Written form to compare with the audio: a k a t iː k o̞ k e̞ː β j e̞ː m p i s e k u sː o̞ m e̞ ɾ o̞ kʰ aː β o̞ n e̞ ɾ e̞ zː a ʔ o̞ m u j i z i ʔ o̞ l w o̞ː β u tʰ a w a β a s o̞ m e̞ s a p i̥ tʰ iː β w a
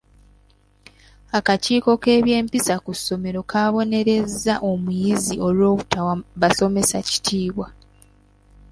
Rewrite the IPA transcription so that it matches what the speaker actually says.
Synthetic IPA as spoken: a k a c iː k o̞ k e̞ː β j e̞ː m p i s a k u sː o̞ m e̞ ɾ o̞ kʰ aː β o̞ n e̞ ɾ e̞ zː a ʔ o̞ m u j i z i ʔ o̞ l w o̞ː β u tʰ a w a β a s o̞ m e̞ s a c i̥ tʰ iː β w a